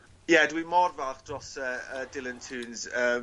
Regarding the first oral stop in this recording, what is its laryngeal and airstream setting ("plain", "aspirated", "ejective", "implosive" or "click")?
plain